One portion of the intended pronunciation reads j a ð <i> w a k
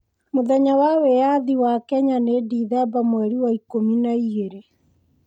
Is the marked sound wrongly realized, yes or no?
no